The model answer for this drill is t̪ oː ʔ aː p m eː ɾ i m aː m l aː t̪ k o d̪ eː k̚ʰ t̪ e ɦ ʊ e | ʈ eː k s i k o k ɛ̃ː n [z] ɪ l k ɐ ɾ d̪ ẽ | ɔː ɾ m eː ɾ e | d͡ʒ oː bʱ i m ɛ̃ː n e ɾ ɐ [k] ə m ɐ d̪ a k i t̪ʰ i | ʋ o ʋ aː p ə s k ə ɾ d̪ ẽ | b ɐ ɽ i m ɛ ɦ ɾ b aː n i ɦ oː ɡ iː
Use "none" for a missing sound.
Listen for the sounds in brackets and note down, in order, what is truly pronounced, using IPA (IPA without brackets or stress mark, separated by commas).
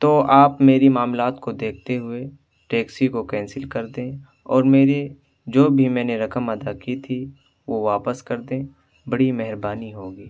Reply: s, k